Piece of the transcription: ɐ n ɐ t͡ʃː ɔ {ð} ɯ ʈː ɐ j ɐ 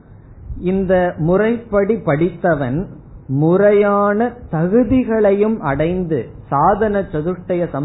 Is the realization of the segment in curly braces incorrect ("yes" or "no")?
no